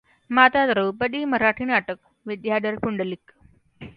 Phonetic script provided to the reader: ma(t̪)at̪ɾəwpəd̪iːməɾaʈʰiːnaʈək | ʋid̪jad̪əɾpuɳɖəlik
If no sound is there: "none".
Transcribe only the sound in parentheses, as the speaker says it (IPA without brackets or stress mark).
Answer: t̪